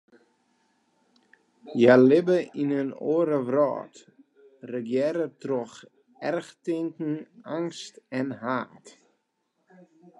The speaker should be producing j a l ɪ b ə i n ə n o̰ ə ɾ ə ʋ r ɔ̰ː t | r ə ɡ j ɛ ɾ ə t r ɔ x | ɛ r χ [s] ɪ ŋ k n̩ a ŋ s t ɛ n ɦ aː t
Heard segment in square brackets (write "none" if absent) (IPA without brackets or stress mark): t